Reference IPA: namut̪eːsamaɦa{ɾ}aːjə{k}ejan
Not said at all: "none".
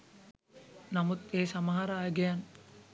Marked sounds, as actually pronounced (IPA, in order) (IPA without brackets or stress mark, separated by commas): ɾ, ɡ